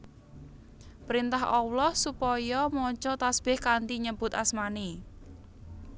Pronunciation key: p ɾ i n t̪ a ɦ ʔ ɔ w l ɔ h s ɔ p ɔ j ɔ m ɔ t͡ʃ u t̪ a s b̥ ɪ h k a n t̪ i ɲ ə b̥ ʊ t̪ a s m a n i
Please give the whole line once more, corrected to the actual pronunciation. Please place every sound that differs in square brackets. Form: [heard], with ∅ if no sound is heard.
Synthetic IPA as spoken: p ɾ i n t̪ a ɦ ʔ ɔ w l ɔ h s [u] p ɔ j ɔ m ɔ t͡ʃ [ɔ] t̪ a s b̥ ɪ h k a n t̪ i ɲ ə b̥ ʊ t̪ a s m a n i